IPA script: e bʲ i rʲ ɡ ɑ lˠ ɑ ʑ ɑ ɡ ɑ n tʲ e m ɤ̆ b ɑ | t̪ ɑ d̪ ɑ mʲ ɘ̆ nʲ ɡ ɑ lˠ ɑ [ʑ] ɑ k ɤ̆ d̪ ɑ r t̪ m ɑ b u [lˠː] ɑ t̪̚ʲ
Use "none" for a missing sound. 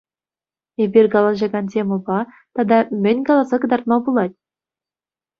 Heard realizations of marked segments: z, lˠ

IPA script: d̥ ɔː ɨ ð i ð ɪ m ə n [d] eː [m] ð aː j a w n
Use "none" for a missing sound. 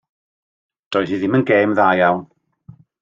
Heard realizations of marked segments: ɡ, m

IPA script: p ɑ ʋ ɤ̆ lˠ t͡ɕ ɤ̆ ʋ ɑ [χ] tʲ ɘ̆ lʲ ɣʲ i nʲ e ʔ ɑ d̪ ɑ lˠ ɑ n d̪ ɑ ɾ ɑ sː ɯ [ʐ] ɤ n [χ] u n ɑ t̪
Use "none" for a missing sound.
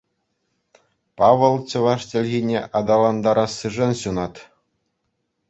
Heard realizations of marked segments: ʂ, ʐ, ɕ

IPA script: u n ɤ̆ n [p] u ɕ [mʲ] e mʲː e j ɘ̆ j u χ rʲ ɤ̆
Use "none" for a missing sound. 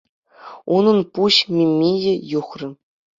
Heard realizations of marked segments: p, mʲ

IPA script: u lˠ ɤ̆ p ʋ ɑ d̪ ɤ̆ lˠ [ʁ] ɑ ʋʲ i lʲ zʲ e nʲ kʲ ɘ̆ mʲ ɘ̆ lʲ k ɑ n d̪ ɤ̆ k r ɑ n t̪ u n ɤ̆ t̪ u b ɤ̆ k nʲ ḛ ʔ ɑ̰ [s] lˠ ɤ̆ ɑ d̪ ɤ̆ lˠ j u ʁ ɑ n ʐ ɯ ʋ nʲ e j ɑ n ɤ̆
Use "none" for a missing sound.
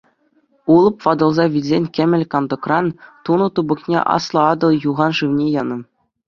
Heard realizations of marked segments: z, s

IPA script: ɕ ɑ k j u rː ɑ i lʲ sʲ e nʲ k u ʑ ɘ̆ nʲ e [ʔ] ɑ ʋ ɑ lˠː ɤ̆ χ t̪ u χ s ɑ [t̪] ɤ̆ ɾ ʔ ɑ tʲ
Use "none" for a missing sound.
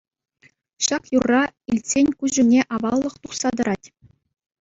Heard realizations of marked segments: ʔ, d̪

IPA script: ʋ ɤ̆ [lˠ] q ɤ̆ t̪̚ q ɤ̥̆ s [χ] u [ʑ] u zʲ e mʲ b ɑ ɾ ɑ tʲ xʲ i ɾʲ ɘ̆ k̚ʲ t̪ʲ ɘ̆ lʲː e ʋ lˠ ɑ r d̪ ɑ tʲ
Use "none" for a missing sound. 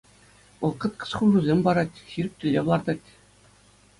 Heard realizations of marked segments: lˠ, χ, ʐ

